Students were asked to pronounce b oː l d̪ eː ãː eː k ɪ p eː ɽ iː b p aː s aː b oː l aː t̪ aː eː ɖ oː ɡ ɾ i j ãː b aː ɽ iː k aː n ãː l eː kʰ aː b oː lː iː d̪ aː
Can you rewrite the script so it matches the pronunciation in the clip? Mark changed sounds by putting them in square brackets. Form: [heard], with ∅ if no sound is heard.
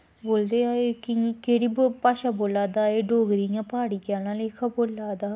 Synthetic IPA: b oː l d̪ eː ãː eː k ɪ [k] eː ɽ iː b p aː [ʃ] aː b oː l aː [d̪] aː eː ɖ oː ɡ ɾ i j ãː [p] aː ɽ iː k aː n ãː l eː kʰ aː b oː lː [aː] d̪ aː